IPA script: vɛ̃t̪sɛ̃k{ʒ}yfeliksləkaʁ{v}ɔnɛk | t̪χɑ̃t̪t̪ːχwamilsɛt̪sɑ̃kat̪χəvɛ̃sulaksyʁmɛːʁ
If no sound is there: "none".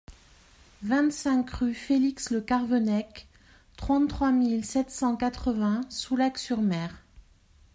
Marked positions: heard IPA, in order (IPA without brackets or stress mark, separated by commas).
ʁ, v